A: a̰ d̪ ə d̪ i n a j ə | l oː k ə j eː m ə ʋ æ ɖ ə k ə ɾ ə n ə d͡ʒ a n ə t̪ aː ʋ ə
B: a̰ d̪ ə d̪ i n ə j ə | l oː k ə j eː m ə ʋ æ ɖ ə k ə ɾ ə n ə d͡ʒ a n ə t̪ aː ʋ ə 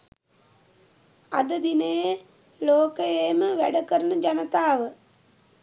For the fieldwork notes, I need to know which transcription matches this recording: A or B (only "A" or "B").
B